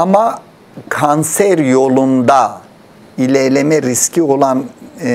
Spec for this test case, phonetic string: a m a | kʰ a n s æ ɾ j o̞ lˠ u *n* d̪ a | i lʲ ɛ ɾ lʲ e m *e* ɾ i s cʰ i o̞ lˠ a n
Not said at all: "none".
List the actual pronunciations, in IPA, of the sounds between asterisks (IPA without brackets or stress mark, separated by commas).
n, ɛ